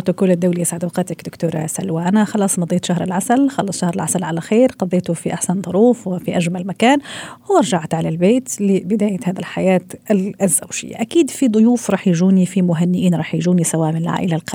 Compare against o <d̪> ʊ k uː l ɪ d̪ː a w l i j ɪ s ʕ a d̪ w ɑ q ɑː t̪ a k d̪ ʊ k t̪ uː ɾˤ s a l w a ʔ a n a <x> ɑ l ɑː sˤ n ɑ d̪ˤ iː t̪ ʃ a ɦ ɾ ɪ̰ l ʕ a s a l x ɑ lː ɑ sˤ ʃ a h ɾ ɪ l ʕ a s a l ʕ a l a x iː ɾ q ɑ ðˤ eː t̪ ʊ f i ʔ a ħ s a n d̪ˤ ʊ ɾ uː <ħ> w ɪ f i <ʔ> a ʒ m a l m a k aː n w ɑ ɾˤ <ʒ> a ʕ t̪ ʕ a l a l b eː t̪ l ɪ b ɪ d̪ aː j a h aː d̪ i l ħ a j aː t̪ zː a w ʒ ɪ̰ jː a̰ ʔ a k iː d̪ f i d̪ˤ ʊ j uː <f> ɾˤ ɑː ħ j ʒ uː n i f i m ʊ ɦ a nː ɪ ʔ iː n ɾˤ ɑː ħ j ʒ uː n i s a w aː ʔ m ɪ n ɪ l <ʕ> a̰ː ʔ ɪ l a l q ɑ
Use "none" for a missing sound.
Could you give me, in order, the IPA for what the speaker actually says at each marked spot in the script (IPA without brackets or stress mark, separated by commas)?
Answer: t̪, x, f, ʔ, ʒ, f, ʕ